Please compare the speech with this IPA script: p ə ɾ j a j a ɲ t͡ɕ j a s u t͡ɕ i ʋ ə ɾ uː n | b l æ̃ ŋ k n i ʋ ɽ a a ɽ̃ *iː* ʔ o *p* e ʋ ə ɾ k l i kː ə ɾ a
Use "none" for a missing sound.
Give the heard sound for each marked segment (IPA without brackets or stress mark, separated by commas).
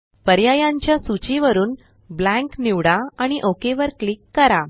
i, k